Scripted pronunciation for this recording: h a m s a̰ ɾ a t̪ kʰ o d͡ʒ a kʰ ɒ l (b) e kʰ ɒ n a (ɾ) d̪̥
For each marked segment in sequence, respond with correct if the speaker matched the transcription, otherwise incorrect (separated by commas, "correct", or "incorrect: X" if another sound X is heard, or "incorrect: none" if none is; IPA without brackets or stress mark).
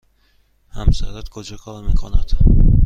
incorrect: m, incorrect: none